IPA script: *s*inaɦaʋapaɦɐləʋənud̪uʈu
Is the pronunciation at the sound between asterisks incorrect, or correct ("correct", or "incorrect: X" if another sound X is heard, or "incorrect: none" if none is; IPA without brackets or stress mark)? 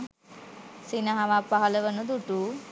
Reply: correct